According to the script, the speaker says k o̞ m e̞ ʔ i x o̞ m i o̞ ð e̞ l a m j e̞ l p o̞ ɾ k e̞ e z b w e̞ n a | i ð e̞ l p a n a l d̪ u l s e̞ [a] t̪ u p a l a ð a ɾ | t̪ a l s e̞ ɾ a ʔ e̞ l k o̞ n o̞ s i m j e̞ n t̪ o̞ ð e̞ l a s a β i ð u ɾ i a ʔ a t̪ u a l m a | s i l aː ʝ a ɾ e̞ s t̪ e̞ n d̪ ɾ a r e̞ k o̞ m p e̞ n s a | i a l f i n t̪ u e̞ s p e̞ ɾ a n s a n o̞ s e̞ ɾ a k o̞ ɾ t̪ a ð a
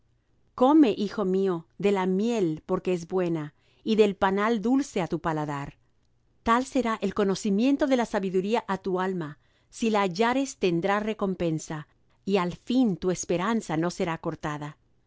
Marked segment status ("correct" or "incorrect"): correct